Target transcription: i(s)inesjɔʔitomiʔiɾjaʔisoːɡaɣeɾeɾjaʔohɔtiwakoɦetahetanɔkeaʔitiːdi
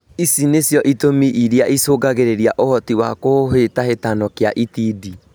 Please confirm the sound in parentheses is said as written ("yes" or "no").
yes